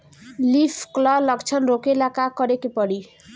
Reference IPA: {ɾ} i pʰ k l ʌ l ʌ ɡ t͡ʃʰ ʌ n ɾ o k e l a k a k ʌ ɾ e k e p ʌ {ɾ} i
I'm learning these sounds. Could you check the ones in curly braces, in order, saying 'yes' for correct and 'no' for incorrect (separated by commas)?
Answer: no, no